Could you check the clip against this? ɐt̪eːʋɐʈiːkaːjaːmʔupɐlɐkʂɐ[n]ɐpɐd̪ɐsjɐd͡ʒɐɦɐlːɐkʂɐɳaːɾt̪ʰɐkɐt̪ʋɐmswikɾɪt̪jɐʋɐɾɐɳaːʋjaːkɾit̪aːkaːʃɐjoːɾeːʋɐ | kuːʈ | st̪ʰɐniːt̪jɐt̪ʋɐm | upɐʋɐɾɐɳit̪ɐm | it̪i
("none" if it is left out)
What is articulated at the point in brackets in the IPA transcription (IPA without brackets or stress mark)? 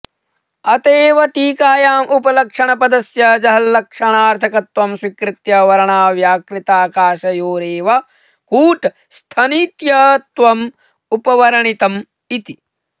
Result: ɳ